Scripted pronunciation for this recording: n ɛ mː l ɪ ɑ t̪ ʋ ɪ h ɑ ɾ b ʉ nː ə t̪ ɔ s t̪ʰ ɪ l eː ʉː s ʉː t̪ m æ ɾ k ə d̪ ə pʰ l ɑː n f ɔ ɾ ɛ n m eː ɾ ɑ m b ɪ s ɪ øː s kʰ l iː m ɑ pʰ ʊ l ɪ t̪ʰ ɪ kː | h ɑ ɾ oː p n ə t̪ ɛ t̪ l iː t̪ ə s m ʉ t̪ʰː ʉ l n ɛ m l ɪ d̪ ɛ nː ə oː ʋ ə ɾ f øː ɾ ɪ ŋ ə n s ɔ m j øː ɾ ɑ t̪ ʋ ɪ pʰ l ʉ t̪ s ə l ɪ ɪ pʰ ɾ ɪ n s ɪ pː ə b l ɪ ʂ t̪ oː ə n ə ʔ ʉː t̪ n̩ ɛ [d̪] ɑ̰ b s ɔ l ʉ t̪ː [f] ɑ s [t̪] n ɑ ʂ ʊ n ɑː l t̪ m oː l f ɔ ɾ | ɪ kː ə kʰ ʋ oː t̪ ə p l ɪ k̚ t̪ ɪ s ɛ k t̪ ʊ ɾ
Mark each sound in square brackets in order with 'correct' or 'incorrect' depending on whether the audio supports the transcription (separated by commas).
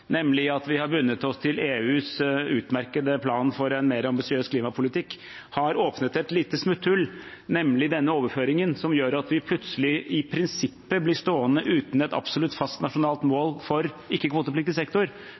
incorrect, correct, correct